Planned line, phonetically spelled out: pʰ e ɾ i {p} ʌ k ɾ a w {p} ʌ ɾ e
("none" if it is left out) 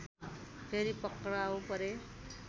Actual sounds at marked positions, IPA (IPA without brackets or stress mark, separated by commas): p, p